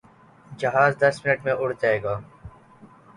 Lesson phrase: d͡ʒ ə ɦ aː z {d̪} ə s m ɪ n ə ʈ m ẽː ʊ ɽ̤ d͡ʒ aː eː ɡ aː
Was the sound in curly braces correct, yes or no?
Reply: yes